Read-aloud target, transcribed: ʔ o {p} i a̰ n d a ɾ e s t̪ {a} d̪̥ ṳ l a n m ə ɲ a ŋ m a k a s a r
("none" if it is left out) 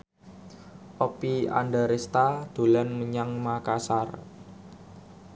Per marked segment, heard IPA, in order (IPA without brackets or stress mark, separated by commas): p, a